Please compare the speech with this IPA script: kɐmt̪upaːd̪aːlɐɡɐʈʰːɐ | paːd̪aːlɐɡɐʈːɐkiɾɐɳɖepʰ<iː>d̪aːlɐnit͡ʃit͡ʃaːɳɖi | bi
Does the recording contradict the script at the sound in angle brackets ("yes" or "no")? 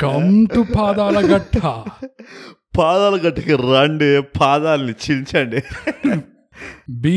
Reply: yes